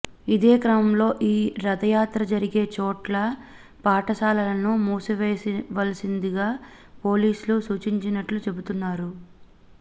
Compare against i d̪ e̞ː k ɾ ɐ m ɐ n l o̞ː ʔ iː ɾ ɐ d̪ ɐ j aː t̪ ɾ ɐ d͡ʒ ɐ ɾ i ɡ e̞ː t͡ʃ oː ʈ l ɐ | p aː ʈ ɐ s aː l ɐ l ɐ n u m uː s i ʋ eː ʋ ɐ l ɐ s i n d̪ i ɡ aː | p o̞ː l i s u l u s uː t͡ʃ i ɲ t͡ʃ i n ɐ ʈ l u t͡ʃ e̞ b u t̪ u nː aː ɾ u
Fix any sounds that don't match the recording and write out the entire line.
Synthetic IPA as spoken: i d̪ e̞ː k ɾ ɐ m ɐ m l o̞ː ʔ iː ɾ ɐ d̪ ɐ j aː t̪ ɾ ɐ d͡ʒ ɐ ɾ i ɡ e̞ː t͡ʃ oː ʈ l ɐ | p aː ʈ ɐ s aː l ɐ l ɐ n u m uː s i ʋ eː ʋ ɐ l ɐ s i n d̪ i ɡ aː | p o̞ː l iː s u l u s uː t͡ʃ i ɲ t͡ʃ i n ɐ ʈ l u t͡ʃ e̞ b u t̪ u nː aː ɾ u